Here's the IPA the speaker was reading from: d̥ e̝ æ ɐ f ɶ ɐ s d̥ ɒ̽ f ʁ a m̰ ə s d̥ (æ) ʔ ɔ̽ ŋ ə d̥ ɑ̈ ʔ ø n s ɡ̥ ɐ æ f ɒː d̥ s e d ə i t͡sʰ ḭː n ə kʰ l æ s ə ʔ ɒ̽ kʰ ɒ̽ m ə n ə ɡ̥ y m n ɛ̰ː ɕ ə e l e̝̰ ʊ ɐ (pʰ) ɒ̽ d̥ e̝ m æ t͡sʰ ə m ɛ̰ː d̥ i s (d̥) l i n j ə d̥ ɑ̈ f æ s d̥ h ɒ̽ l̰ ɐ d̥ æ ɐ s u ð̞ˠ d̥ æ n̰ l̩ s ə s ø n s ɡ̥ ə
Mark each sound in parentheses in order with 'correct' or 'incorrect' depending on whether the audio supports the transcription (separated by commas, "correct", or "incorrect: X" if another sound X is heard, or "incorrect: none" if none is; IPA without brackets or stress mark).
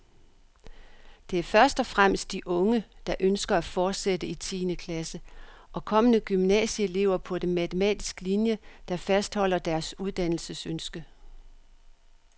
incorrect: i, correct, incorrect: ɡ̥